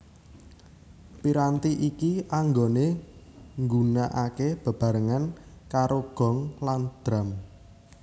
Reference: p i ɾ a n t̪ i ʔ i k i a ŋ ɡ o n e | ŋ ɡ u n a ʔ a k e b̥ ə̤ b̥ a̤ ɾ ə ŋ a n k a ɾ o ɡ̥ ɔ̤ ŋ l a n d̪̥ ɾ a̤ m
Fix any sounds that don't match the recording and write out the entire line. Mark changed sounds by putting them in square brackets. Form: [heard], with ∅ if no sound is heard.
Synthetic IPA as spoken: p i ɾ a n t̪ i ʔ i k i a ŋ ɡ o n e | ŋ ɡ u n a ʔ a k e b̥ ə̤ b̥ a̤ ɾ ə ŋ a n k a ɾ o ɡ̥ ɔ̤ ŋ l a n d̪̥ ɾ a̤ m